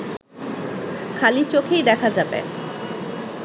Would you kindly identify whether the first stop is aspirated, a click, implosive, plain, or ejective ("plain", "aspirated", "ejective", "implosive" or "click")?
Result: aspirated